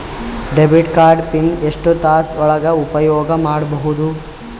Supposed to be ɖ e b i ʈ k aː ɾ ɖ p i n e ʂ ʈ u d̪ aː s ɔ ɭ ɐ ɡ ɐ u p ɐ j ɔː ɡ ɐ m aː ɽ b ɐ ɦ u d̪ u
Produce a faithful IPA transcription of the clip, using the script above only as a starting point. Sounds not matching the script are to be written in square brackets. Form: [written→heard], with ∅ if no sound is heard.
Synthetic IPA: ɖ e b i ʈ k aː ɾ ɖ p i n e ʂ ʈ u [d̪→t̪] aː s ɔ ɭ ɐ ɡ ɐ u p ɐ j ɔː ɡ ɐ m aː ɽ b ɐ ɦ u d̪ u